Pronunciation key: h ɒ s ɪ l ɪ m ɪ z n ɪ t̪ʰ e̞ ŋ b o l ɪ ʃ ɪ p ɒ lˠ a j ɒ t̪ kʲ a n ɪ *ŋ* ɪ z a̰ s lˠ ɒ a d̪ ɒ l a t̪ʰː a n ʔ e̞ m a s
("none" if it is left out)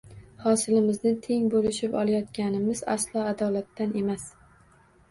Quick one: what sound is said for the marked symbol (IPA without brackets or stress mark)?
m